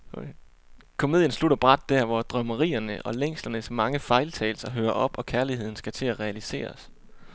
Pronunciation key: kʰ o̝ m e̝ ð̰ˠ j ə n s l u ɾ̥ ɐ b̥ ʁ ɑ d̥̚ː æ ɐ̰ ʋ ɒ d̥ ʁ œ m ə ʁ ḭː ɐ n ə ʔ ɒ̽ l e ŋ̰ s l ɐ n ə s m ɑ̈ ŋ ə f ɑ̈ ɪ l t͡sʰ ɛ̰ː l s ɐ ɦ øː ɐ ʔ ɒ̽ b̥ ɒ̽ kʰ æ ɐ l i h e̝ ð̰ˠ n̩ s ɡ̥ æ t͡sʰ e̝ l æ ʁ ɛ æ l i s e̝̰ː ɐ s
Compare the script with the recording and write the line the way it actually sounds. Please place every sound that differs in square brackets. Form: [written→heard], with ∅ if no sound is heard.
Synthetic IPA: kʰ o̝ m e̝ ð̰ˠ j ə n s l u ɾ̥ ɐ b̥ ʁ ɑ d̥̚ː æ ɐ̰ ʋ ɒ d̥ ʁ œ m ə ʁ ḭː ɐ n ə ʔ ɒ̽ l e ŋ̰ s l ɐ n ə s m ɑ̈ ŋ ə f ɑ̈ ɪ l t͡sʰ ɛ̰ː l s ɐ ɦ øː ɐ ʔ ɒ̽ b̥ ɒ̽ kʰ æ ɐ l i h e̝ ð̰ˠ n̩ s ɡ̥ æ t͡sʰ e̝ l æ ʁ ɛ æ l i s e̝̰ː ɐ s

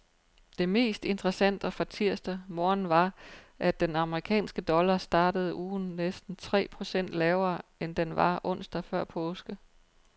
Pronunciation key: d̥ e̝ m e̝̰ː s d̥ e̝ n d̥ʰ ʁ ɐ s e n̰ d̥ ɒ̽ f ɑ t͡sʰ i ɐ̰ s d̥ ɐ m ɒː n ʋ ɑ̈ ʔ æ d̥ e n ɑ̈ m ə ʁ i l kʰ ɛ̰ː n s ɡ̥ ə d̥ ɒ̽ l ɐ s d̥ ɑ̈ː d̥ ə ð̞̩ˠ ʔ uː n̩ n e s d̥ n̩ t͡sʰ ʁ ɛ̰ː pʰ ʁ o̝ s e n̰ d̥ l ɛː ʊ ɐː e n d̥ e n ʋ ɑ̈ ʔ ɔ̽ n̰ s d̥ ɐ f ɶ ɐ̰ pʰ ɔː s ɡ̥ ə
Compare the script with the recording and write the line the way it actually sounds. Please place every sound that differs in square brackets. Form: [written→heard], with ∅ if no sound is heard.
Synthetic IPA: d̥ e̝ m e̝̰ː s d̥ e̝ n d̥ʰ ʁ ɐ s [e→æ] n̰ d̥ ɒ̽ f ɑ t͡sʰ i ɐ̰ s d̥ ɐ m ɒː n ʋ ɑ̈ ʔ æ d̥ e n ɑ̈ m ə ʁ i [l→∅] kʰ ɛ̰ː n s ɡ̥ ə d̥ ɒ̽ l ɐ s d̥ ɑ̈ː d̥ ə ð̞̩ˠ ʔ uː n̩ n e s d̥ n̩ t͡sʰ ʁ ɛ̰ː pʰ ʁ o̝ s e n̰ d̥ l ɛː ʊ ɐː e n d̥ e n ʋ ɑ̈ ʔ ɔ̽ n̰ s d̥ ɐ f ɶ ɐ̰ pʰ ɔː s ɡ̥ ə

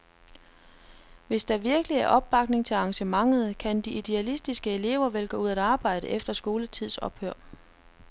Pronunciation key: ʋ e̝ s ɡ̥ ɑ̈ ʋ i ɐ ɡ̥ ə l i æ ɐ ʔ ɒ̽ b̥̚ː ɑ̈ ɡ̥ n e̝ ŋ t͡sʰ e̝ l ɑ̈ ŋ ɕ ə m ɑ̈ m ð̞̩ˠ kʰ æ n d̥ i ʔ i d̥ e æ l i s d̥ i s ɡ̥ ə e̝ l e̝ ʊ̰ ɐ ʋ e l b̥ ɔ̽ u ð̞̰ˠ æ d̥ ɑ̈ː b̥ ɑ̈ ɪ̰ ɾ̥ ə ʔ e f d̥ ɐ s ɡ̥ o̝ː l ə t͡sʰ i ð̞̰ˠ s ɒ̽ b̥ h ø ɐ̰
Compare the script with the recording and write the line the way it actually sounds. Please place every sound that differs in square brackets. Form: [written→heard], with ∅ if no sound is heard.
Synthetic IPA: ʋ e̝ s [ɡ̥→d̥] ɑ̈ ʋ i ɐ ɡ̥ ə l i æ ɐ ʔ ɒ̽ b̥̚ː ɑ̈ ɡ̥ n e̝ ŋ t͡sʰ e̝ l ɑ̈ ŋ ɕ ə m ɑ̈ [m→ŋ] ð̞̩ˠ kʰ æ n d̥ i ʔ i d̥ e æ l i s d̥ i s ɡ̥ ə e̝ l e̝ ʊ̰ ɐ ʋ e l [b̥→ɡ̥] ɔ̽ u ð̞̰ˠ æ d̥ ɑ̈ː b̥ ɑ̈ ɪ̰ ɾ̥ ə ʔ e f d̥ ɐ s ɡ̥ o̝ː l ə t͡sʰ i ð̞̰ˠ s ɒ̽ b̥ h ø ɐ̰

